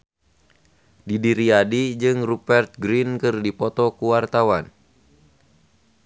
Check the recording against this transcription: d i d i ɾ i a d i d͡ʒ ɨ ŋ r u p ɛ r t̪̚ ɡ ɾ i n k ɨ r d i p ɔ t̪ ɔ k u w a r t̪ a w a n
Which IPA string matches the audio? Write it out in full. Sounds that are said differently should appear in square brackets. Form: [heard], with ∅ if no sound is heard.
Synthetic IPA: d i d i ɾ i a d i d͡ʒ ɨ ŋ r u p ɛ r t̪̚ ɡ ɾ i n k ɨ r d i p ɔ t̪ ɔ k u w a r t̪ a w a n